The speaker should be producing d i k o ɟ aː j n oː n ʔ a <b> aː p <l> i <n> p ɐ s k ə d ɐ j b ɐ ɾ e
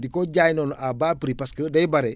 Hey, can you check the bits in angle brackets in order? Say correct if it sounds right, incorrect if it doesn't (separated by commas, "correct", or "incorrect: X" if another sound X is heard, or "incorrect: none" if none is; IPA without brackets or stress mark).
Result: correct, incorrect: ɾ, incorrect: none